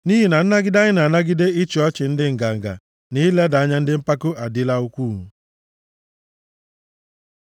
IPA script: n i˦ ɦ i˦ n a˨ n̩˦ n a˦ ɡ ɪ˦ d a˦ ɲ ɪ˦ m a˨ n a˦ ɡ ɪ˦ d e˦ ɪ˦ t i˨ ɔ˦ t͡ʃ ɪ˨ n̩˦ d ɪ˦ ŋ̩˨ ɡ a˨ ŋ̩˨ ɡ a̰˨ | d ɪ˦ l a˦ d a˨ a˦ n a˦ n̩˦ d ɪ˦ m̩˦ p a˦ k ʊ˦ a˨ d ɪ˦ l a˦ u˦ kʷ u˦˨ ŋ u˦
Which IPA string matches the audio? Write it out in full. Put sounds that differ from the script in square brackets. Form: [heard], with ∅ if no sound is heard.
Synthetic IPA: n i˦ ɦ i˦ n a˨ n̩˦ n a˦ ɡ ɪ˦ d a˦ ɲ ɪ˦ [n] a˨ n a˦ ɡ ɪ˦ d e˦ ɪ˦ [t͡ʃ] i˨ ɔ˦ t͡ʃ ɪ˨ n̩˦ d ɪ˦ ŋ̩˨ ɡ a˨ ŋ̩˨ ɡ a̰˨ | [n] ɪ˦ l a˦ d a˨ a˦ [ɲ] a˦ n̩˦ d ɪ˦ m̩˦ p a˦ k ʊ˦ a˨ d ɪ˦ l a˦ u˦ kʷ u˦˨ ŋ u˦

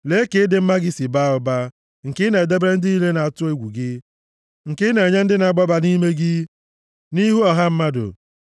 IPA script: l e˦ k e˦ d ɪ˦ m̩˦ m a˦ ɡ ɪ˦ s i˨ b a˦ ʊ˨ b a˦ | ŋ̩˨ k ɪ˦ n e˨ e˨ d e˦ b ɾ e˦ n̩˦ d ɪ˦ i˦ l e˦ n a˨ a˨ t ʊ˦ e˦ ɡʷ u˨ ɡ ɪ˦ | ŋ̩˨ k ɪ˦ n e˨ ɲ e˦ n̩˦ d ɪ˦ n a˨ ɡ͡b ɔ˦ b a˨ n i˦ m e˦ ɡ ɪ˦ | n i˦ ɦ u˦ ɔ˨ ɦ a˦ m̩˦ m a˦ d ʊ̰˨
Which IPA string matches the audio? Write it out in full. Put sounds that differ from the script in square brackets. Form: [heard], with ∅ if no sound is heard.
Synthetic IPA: l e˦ k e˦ d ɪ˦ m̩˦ m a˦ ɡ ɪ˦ s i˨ b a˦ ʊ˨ b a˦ | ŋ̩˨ k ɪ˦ n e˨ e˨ d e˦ b ɾ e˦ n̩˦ d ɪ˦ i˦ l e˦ n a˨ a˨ t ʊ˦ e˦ ɡʷ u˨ ɡ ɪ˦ | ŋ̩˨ k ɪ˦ n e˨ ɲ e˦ n̩˦ d ɪ˦ n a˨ ɡ͡b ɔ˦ b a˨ n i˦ m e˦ ɡ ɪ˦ | n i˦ ɦ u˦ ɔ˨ ɦ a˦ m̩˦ m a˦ d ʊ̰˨

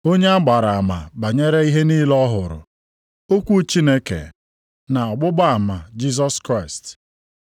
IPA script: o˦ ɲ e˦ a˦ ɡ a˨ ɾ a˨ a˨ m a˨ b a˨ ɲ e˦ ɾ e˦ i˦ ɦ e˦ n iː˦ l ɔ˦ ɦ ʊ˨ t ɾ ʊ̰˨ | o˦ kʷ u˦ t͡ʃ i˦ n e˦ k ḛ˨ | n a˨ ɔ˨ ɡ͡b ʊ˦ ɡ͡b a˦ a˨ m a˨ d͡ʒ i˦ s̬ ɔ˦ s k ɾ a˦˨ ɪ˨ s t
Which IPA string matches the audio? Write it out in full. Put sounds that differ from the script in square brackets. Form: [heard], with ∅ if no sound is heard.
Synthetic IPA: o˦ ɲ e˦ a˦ [ɡ͡b] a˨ ɾ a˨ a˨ m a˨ b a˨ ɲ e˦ ɾ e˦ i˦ ɦ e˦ n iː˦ l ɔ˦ ɦ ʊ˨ [∅] ɾ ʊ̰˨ | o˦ kʷ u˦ t͡ʃ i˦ n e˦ k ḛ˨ | n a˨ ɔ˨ ɡ͡b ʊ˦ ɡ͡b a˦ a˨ m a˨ d͡ʒ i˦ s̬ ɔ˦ s k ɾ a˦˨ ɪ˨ s t

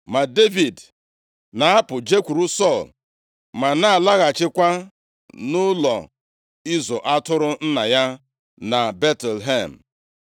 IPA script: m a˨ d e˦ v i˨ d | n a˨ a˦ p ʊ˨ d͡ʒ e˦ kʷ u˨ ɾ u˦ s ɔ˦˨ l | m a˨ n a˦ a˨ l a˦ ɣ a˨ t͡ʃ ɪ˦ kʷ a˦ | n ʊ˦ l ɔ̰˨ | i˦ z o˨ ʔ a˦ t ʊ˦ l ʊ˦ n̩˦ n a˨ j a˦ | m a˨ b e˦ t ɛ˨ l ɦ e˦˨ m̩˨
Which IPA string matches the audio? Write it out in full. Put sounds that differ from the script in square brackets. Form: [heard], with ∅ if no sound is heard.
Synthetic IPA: m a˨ d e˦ v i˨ d | n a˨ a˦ p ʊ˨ d͡ʒ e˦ kʷ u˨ ɾ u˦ s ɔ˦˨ l | m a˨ n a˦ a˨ l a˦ ɣ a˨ t͡ʃ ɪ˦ kʷ a˦ | n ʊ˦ l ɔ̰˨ | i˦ z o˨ ʔ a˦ t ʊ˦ [ɾ] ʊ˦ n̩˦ n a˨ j a˦ | [n] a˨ b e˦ t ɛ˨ l ɦ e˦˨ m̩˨

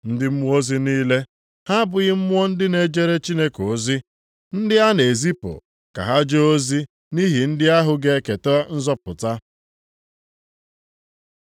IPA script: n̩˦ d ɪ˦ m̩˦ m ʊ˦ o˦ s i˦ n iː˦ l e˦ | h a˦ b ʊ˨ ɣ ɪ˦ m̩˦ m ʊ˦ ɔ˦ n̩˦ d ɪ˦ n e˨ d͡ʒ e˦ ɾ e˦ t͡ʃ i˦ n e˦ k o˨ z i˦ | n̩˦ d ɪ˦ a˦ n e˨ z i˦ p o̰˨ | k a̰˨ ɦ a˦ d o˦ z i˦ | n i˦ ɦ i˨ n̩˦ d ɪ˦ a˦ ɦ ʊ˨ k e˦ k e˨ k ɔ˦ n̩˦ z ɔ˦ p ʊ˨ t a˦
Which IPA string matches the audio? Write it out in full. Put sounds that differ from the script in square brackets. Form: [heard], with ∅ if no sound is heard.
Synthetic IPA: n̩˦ d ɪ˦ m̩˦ m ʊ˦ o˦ [z] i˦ n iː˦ l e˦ | h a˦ b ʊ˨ ɣ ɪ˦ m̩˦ m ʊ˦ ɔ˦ n̩˦ d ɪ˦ n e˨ d͡ʒ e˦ ɾ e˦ t͡ʃ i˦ n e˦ k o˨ z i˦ | n̩˦ d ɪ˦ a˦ n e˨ z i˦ p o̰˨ | k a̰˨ ɦ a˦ [d͡ʒ] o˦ z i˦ | n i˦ ɦ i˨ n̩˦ d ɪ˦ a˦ ɦ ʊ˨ [ɡ] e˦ k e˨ [t] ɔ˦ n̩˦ z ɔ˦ p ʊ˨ t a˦

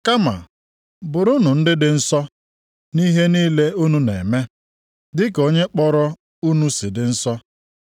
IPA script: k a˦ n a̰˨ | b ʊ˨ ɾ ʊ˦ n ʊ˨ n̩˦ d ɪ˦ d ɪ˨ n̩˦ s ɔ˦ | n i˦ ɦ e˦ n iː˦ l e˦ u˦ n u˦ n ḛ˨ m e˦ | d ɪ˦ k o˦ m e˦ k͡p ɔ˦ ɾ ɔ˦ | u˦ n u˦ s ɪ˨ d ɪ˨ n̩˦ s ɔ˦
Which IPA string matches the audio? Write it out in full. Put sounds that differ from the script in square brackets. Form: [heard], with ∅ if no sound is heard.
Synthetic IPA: k a˦ [m] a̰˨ | b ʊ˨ ɾ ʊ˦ n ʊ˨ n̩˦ d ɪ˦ d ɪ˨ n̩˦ s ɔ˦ | n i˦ ɦ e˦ n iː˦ l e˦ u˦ n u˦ n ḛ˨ m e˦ | d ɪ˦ k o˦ [ɲ] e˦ k͡p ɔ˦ ɾ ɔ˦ | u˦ n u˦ s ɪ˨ d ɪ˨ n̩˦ s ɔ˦

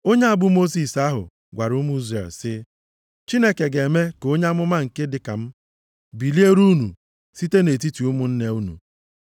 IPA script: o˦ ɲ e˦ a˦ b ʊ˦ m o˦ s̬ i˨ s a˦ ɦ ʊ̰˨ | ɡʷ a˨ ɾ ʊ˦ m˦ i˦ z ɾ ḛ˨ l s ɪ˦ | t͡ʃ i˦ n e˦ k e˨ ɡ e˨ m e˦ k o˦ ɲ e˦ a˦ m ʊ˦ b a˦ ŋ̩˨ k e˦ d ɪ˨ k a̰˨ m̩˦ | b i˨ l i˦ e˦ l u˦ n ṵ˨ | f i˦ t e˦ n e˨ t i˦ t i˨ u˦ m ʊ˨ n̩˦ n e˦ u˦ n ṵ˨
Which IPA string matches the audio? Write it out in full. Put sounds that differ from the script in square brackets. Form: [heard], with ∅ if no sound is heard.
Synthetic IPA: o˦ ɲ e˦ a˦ b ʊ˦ m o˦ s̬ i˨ s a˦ ɦ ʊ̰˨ | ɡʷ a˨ ɾ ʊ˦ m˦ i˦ z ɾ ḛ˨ l s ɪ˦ | t͡ʃ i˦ n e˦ k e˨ ɡ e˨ m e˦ k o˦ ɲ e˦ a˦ m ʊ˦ [m] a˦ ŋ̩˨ k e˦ d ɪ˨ k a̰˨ m̩˦ | b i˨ l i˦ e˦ [ɾ] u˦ n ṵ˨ | [s] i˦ t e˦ n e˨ t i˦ t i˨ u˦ m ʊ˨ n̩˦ n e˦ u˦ n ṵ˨

